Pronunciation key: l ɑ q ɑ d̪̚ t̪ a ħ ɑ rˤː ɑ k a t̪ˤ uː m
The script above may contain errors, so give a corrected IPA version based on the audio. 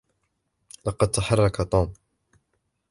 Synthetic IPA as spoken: l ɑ q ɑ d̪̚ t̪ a ħ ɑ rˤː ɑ k a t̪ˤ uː m